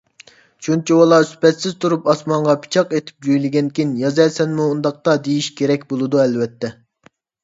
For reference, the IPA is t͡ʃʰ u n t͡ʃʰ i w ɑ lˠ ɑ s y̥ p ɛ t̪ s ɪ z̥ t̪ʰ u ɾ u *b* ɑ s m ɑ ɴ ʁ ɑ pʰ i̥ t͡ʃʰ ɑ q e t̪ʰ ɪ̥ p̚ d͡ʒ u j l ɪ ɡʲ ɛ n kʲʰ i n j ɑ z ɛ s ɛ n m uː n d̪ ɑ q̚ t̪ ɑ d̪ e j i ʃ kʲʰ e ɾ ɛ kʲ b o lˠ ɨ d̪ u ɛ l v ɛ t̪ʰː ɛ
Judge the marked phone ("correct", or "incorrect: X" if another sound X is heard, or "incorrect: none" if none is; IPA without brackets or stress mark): incorrect: p